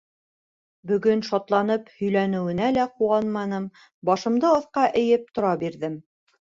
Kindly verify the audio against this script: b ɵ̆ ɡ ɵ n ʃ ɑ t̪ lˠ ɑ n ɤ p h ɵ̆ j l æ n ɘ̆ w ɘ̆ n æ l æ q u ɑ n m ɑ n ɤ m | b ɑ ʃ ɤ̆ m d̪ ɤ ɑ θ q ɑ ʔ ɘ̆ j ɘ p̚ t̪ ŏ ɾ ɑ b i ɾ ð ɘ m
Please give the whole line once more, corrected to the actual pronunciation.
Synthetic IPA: b ɵ̆ ɡ ɵ n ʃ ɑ t̪ lˠ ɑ n ɤ p h ɵ̆ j l æ n ɘ̆ w ɘ̆ n æ l æ q u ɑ n m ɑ n ɤ m | b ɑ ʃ ɤ̆ m d̪ ɤ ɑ θ q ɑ ʔ ɘ̆ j ɘ p̚ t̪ ŏ ɾ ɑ b i ɾ ð ɘ m